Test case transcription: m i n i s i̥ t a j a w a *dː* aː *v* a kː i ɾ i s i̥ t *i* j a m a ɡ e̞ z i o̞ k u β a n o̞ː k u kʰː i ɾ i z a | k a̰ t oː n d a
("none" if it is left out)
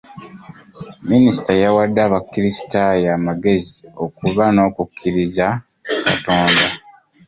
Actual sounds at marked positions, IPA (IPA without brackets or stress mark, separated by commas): dː, β, a